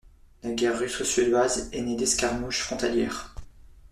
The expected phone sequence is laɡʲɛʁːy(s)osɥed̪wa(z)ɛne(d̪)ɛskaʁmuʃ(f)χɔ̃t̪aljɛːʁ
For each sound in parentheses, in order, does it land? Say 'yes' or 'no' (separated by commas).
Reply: yes, yes, yes, yes